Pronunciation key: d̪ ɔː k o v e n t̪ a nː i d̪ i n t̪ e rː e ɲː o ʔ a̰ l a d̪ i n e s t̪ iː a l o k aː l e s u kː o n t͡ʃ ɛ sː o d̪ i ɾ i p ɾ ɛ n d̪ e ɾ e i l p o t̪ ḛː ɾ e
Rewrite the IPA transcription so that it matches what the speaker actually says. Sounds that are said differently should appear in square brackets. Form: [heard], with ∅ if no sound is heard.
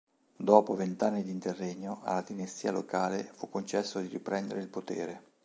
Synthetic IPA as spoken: d̪ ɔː [p] o v e n t̪ a nː i d̪ i n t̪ e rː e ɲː o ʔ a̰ l a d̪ i n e s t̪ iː a l o k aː l e [f] u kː o n t͡ʃ ɛ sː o d̪ i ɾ i p ɾ ɛ n d̪ e ɾ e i l p o t̪ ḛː ɾ e